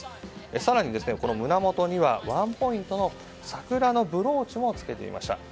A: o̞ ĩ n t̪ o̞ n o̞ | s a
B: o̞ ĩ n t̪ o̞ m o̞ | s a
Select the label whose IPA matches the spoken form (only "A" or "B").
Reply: A